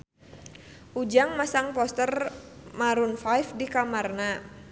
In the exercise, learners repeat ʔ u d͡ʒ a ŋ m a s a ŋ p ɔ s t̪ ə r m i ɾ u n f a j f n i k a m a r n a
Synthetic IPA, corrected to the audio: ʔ u d͡ʒ a ŋ m a s a ŋ p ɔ s t̪ ə r m a ɾ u n f a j f d i k a m a r n a